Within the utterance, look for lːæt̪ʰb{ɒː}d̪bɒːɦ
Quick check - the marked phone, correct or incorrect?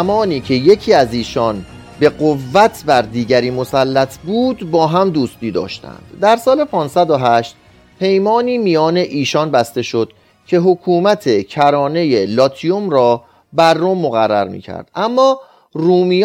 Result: incorrect